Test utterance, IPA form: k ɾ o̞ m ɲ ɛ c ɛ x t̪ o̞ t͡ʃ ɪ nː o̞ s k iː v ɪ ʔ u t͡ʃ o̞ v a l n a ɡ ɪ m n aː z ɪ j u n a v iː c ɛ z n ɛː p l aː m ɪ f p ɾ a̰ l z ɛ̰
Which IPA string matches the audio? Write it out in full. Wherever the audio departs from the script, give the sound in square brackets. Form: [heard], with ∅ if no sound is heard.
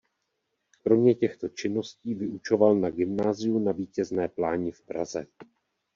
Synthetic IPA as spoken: k ɾ o̞ m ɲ ɛ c ɛ x t̪ o̞ t͡ʃ ɪ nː o̞ s [c] iː v ɪ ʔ u t͡ʃ o̞ v a l n a ɡ ɪ m n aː z ɪ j u n a v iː c ɛ z n ɛː p l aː [ɲ] ɪ f p ɾ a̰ [∅] z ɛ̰